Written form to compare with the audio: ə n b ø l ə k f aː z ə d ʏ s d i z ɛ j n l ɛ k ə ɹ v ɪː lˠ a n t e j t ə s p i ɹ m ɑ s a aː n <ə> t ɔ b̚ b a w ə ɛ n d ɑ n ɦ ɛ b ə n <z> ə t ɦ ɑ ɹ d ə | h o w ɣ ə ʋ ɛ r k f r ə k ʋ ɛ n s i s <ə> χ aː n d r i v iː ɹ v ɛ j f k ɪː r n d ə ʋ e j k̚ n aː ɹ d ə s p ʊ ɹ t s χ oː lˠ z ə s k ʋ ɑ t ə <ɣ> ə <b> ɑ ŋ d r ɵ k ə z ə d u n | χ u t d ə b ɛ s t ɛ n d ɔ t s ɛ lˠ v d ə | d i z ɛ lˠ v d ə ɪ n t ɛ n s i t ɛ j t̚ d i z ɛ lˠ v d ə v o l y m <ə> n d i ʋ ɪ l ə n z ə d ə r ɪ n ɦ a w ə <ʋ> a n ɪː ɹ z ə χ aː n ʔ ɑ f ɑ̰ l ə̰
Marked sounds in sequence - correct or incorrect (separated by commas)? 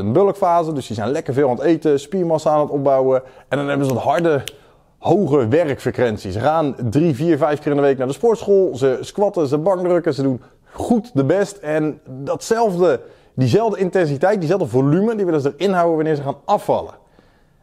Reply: correct, correct, correct, incorrect, correct, correct, correct